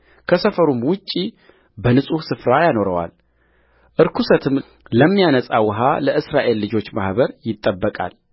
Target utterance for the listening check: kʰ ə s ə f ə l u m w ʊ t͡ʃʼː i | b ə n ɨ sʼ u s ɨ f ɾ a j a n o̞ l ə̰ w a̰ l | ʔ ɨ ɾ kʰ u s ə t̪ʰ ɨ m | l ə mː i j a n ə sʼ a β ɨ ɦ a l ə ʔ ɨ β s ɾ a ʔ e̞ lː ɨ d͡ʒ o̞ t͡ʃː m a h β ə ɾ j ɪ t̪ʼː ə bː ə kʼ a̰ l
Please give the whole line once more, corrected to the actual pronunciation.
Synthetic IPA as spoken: kʰ ə s ə f ə ɾ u m w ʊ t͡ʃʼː i | b ə n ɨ sʼ u s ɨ f ɾ a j a n o̞ ɾ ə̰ w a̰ l | ʔ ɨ ɾ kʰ u s ə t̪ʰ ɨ m | l ə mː i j a n ə sʼ a w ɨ ɦ a l ə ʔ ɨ s ɾ a ʔ e̞ lː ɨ d͡ʒ o̞ t͡ʃː m a h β ə ɾ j ɪ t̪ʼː ə bː ə kʼ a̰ l